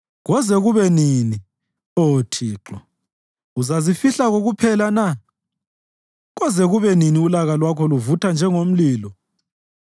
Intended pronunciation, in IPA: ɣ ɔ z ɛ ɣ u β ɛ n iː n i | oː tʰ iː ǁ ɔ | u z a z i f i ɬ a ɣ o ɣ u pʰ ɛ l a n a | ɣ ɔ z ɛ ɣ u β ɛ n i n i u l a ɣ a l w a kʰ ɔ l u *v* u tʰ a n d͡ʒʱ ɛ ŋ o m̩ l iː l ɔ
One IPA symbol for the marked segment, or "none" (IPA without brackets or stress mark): v